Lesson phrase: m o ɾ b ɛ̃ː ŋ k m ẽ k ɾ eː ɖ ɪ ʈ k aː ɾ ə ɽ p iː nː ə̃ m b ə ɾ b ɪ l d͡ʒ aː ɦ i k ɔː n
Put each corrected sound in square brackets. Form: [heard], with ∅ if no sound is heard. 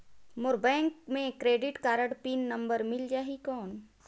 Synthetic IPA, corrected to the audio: m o ɾ b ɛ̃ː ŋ k m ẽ k ɾ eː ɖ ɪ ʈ k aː ɾ ə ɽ p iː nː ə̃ m b ə ɾ [m] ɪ l d͡ʒ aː ɦ i k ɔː n